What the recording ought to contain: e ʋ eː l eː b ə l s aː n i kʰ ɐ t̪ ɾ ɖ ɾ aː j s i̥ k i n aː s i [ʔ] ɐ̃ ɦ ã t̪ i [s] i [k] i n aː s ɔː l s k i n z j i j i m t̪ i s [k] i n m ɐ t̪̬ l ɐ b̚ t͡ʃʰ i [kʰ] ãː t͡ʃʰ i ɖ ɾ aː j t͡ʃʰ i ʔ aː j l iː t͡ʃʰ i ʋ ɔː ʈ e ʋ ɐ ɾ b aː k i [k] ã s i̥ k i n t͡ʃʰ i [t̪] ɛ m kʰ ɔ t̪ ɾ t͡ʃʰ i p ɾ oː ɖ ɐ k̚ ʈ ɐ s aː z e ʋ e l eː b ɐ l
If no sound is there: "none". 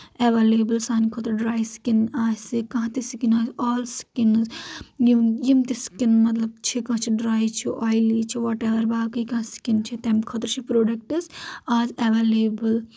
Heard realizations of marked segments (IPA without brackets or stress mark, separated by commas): k, s, k, k, k, k, t̪